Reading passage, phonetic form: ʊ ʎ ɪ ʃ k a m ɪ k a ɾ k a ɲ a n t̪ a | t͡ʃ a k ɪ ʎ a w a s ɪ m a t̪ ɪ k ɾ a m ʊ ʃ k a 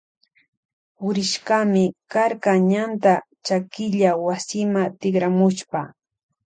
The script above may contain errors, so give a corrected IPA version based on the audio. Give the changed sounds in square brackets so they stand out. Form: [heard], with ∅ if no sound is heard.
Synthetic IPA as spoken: ʊ [ɾ] ɪ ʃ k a m ɪ k a ɾ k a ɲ a n t̪ a | t͡ʃ a k ɪ ʎ a w a s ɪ m a t̪ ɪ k ɾ a m ʊ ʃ [p] a